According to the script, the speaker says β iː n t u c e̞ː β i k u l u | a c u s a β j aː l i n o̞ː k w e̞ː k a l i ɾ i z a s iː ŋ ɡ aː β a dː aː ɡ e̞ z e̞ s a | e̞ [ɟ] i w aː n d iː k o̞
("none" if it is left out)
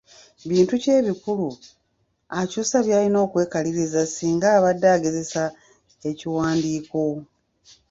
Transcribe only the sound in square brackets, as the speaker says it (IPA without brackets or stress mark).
c